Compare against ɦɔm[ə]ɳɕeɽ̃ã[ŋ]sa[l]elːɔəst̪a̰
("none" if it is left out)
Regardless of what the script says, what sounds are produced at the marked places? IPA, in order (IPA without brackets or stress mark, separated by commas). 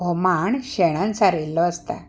a, n, ɾ